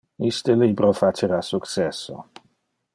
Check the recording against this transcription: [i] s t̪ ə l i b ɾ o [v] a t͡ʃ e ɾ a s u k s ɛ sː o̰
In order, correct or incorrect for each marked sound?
correct, incorrect: f

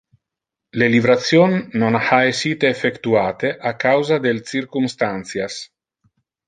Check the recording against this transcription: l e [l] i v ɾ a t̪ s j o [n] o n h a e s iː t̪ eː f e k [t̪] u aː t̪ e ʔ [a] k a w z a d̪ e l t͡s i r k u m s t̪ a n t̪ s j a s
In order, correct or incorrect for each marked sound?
correct, incorrect: nː, correct, correct

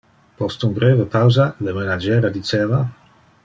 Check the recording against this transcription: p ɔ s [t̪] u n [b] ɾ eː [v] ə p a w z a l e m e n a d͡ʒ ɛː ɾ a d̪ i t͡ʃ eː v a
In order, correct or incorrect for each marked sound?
correct, correct, correct

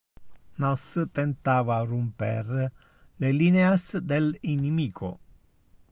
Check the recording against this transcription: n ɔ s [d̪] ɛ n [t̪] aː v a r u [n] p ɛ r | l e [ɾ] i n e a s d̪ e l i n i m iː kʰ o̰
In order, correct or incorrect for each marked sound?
incorrect: t̪, correct, incorrect: m, incorrect: l

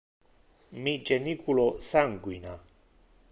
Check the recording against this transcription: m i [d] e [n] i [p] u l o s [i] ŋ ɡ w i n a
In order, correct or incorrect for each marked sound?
incorrect: d͡ʒ, correct, incorrect: k, incorrect: a

